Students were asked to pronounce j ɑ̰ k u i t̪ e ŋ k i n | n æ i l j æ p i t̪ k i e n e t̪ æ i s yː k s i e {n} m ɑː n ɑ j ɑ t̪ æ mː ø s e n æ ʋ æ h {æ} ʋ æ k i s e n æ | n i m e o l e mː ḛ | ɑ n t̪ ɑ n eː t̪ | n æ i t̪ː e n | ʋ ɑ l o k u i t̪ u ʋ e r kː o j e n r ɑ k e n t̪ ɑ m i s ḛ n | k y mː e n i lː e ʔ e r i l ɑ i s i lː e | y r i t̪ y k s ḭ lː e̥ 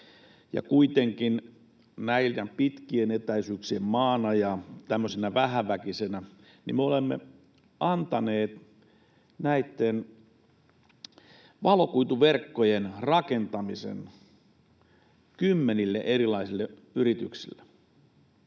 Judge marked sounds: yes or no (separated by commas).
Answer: no, yes